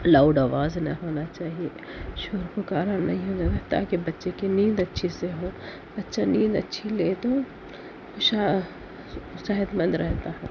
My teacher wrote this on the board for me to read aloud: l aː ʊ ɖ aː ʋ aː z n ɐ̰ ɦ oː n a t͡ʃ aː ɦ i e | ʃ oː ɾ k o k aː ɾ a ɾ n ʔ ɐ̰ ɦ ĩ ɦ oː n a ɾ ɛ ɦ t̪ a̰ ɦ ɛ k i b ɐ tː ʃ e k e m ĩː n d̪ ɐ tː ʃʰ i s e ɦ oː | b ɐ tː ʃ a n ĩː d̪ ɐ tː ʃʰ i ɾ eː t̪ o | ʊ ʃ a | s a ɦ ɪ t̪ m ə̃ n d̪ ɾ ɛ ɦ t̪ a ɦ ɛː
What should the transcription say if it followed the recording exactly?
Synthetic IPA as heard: l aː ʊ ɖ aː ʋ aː z n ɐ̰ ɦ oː n a t͡ʃ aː ɦ i e | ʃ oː ɾ k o k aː ɾ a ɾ n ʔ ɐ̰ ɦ ĩ ɦ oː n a ɾ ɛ ɦ t̪ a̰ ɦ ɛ k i b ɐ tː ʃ e k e n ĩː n d̪ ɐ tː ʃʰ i s e ɦ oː | b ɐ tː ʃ a n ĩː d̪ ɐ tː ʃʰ i l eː t̪ o | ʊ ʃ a | s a ɦ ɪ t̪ m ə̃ n d̪ ɾ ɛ ɦ t̪ a ɦ ɛː